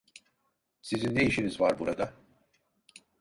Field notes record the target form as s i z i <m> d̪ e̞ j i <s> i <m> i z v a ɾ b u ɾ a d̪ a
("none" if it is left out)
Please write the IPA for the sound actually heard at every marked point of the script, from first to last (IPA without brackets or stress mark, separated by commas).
n, ʃ, n